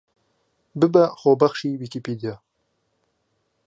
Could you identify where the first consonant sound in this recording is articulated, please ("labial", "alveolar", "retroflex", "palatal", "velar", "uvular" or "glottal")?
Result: labial